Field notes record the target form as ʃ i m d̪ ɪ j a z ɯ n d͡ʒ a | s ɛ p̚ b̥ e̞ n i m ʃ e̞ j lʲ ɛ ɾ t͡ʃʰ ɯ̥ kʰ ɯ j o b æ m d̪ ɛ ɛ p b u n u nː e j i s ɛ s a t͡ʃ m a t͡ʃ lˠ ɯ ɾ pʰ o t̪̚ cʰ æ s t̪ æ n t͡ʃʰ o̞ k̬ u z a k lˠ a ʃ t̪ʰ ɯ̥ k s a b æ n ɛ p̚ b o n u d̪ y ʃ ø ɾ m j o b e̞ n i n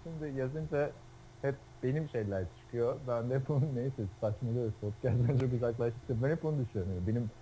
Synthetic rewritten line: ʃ i m d̪ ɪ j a z ɯ n d͡ʒ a | h ɛ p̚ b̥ e̞ n i m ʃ e̞ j lʲ æ ɾ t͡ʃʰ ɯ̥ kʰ ɯ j o b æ n d̪ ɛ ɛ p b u n u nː e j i s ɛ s a t͡ʃ m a lˠ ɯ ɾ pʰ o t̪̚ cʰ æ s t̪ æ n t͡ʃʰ o̞ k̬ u z a k lˠ a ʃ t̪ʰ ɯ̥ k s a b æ n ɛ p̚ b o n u d̪ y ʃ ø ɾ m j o b e̞ n i m